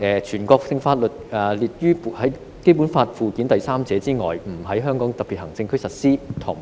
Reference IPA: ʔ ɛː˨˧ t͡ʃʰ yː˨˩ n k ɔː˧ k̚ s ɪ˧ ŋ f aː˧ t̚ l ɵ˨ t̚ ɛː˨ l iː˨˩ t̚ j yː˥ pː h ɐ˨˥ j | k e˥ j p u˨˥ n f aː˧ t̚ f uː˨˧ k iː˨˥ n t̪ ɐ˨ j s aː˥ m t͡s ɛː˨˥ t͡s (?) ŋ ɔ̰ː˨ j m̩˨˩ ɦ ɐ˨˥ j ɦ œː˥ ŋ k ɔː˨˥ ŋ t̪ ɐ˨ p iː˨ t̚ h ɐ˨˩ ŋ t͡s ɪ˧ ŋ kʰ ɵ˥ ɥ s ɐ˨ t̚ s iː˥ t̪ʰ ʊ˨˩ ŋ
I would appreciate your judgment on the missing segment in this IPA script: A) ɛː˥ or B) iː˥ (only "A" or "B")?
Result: B